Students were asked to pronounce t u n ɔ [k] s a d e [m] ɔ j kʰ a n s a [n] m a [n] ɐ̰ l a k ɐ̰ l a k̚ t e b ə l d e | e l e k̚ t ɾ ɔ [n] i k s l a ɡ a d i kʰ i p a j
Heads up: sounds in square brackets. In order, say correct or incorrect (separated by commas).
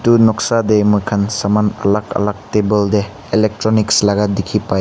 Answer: correct, correct, incorrect, correct, correct